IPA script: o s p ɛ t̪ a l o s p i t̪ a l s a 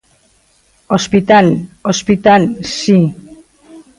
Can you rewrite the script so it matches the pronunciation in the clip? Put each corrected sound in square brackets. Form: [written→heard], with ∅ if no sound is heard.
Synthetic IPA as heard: o s p [ɛ→i] t̪ a l o s p i t̪ a l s [a→i]